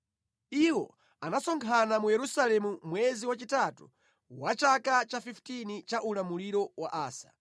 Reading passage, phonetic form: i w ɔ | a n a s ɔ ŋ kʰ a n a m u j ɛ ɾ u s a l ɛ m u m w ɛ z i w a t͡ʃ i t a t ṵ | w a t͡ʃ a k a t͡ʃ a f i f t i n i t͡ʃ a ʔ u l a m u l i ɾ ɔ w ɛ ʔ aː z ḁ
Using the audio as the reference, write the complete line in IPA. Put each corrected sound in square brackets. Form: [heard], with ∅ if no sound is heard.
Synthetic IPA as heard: i w ɔ | a n a s ɔ ŋ kʰ a n a m u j ɛ ɾ u s a l ɛ m u m w ɛ z i w a t͡ʃ i t a t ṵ | w a t͡ʃ a k a t͡ʃ a f i f t i n i t͡ʃ a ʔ u l a m u l i ɾ ɔ w [a] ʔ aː [s] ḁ